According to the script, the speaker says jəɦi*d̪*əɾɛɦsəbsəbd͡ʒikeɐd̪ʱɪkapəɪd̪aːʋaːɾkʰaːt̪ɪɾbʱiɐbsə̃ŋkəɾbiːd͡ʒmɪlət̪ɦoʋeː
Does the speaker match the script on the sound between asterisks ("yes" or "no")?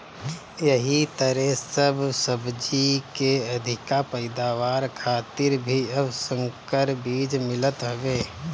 no